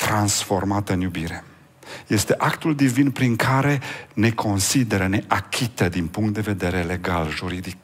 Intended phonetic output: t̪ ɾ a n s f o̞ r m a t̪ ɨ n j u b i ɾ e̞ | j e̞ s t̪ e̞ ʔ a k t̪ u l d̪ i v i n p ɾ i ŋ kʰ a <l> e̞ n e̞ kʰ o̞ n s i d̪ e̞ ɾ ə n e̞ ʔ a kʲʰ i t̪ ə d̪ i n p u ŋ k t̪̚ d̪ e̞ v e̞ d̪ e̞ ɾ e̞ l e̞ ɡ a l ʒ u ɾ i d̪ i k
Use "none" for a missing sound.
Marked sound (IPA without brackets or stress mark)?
ɾ